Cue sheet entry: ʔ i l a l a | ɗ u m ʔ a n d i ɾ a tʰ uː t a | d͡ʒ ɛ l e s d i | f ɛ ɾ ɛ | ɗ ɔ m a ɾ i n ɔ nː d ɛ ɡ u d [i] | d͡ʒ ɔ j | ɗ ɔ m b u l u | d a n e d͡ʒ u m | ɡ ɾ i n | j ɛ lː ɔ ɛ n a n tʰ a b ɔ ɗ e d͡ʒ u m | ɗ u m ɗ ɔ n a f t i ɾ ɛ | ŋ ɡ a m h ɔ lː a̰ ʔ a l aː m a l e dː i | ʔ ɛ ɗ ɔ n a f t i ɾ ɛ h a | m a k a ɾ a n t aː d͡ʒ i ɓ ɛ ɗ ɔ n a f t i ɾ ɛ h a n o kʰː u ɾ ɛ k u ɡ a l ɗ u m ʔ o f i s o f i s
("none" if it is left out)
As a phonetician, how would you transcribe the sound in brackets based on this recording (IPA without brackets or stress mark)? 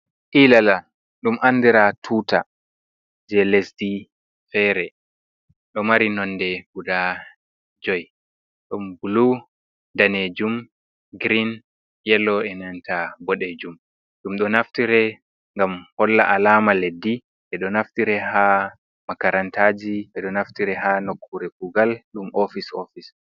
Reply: a